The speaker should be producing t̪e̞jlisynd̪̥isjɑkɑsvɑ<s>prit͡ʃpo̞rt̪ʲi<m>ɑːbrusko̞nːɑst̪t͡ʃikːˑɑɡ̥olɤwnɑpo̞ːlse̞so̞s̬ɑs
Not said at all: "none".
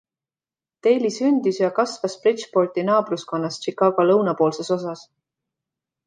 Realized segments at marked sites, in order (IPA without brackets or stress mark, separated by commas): s, n